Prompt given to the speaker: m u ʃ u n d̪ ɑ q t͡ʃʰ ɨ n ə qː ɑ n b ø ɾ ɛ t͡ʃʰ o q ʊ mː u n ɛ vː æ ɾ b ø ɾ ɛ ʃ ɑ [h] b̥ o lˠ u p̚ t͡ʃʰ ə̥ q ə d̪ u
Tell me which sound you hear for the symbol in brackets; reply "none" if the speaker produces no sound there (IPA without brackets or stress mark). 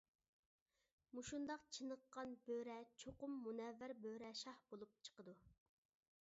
h